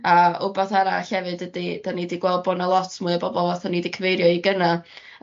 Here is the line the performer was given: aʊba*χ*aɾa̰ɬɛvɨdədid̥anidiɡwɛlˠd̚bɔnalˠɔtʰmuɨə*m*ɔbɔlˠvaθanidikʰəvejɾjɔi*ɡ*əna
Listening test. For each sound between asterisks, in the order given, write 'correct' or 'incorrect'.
incorrect, incorrect, correct

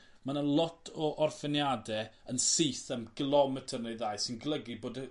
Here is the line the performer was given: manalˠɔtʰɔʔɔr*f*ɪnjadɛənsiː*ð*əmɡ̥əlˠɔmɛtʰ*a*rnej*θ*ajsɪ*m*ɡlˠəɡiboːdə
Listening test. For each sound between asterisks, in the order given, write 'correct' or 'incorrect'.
correct, incorrect, incorrect, incorrect, incorrect

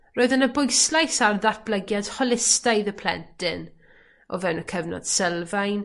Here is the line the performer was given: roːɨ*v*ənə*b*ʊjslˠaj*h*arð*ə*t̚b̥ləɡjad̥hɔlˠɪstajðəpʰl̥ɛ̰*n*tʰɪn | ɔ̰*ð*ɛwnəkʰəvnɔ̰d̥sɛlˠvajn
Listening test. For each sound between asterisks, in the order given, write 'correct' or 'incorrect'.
incorrect, correct, incorrect, incorrect, correct, incorrect

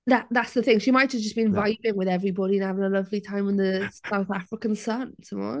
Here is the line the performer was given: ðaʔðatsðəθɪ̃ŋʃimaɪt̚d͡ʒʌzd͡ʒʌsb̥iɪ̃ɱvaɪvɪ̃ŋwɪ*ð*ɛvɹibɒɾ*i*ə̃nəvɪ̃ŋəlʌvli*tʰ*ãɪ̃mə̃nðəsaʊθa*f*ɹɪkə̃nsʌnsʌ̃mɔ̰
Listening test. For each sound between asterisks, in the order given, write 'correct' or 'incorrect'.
correct, correct, correct, correct

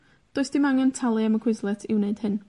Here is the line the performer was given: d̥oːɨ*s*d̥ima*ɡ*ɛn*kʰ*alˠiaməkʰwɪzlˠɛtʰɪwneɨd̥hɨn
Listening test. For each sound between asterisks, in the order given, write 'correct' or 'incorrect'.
correct, incorrect, incorrect

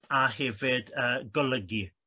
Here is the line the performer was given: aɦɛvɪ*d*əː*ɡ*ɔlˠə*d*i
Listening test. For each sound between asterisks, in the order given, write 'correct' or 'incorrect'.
correct, correct, incorrect

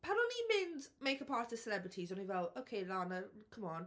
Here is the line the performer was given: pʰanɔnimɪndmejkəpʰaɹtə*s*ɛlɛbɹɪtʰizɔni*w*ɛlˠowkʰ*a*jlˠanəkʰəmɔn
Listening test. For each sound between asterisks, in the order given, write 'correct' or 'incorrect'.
correct, incorrect, incorrect

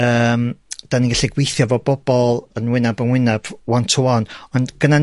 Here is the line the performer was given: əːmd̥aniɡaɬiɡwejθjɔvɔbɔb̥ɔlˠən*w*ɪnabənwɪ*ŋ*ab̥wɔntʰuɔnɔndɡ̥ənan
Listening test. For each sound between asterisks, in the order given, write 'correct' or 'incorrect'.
correct, incorrect

